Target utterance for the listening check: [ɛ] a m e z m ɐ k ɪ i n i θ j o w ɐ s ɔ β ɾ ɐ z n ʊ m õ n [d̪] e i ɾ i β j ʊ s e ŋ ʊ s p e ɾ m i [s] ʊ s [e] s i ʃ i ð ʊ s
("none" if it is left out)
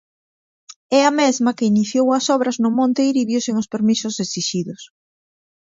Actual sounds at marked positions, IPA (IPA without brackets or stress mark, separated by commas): ɛ, t̪, s, e